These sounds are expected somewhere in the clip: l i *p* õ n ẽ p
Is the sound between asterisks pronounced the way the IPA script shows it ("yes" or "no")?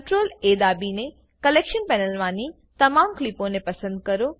yes